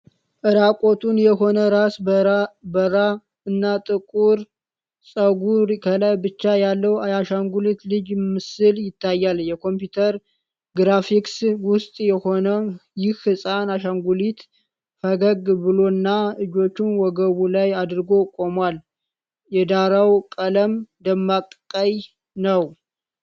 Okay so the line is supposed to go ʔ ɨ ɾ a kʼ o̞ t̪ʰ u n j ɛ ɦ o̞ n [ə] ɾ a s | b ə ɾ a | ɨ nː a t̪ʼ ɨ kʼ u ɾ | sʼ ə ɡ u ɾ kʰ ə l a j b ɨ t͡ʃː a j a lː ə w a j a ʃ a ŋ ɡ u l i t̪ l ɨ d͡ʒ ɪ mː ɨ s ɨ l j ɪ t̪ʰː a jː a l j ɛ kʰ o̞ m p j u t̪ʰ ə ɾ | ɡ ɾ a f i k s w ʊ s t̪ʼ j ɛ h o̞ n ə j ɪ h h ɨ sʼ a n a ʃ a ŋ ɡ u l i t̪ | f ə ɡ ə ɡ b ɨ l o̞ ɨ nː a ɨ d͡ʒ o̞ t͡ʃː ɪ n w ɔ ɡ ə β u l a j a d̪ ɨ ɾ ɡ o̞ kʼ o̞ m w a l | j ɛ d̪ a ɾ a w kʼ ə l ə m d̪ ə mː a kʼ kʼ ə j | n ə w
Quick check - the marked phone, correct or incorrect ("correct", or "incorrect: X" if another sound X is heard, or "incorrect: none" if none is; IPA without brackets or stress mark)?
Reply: correct